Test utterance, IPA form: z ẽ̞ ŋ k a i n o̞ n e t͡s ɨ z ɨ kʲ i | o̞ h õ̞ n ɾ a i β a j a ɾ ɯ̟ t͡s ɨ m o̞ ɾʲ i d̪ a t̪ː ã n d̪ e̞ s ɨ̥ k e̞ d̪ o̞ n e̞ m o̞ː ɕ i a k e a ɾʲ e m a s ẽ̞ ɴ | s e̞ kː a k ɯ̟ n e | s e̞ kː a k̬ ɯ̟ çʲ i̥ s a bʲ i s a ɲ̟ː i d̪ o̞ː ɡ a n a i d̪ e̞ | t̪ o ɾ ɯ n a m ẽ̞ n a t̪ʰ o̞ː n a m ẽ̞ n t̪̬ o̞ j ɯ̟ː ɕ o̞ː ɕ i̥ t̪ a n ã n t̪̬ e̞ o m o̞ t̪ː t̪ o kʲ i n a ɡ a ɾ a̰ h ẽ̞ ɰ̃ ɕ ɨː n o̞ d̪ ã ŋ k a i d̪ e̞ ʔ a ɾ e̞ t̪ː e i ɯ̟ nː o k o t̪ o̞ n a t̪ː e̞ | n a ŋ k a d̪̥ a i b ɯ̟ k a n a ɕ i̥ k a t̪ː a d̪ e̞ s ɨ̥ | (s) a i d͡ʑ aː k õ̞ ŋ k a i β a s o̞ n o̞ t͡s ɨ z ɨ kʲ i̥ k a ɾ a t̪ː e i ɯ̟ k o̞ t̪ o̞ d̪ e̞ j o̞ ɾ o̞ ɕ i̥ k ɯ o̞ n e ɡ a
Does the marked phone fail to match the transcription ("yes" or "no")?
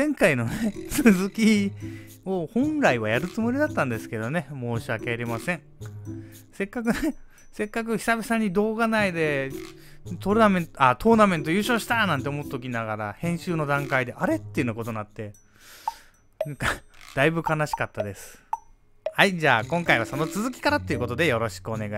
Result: yes